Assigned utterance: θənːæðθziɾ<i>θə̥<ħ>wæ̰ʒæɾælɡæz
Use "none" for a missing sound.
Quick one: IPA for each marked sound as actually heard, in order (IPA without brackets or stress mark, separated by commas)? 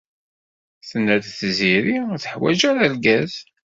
i, ħ